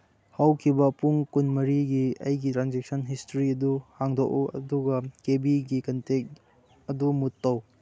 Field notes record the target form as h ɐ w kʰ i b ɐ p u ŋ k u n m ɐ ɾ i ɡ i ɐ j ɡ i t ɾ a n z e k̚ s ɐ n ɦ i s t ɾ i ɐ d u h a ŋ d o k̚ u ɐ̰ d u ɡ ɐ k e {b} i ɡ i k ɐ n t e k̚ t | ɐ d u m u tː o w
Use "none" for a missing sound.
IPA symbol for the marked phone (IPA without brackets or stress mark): b